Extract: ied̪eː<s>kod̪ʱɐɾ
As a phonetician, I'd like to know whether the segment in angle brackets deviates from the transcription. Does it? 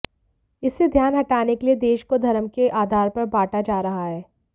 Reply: yes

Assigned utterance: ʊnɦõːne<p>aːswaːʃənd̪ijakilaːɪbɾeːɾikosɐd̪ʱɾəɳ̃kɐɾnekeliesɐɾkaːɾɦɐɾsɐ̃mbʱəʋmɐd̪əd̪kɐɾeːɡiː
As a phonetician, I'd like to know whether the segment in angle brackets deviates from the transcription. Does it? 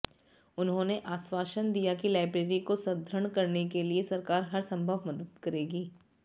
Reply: yes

